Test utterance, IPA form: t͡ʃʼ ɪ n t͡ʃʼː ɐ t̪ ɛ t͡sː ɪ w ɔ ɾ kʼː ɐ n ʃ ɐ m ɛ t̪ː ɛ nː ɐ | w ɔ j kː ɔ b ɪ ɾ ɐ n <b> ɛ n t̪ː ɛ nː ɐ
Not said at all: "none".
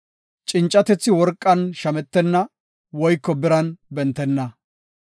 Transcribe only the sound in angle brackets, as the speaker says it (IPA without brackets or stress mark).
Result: b